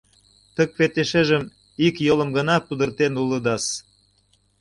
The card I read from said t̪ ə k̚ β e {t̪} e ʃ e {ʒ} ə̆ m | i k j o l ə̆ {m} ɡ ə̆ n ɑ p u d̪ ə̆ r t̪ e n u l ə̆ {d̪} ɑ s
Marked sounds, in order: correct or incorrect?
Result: correct, correct, correct, correct

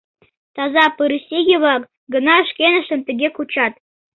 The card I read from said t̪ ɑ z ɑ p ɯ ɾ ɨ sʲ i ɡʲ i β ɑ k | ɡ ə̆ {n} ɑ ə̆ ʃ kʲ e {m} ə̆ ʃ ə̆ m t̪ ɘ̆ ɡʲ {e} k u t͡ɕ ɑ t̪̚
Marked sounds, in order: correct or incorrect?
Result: correct, incorrect: n, correct

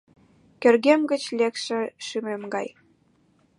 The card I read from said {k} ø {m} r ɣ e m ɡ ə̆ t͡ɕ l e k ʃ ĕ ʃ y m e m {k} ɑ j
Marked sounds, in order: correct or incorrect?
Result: correct, incorrect: none, incorrect: ɡ

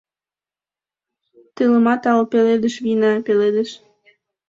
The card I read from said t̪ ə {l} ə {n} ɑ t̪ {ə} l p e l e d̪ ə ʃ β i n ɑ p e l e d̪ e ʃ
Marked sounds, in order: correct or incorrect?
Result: correct, incorrect: m, incorrect: ɑ

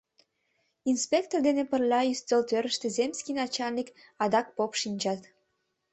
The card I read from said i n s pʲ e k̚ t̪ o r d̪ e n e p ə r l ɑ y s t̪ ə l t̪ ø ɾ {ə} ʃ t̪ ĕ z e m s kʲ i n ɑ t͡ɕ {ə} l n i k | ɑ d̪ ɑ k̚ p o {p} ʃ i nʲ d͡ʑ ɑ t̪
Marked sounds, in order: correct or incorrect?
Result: correct, incorrect: ɑ, correct

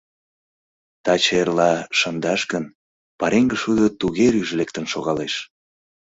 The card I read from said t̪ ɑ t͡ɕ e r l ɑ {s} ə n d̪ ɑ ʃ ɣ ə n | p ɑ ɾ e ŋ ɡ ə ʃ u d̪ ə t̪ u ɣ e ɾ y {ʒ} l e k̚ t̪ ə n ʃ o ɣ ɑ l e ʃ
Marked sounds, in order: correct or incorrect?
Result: incorrect: ʃ, correct

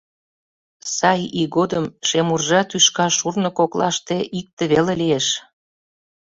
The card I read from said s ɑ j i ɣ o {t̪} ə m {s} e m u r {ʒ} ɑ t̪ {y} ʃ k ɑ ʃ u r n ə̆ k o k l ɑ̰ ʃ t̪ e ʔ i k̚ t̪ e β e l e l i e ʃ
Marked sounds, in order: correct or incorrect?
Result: incorrect: d̪, incorrect: ʃ, correct, correct

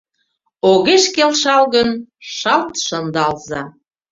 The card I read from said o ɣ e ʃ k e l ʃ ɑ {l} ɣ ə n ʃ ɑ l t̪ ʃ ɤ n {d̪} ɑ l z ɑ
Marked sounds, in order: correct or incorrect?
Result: correct, correct

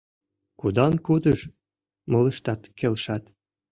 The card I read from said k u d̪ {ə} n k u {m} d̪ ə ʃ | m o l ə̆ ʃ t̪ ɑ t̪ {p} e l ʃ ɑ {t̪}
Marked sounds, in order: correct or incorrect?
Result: incorrect: ɑ, incorrect: none, incorrect: k, correct

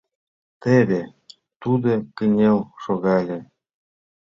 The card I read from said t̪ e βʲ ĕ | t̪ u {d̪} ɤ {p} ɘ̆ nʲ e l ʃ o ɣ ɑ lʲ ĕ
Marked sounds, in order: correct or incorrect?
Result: correct, incorrect: k

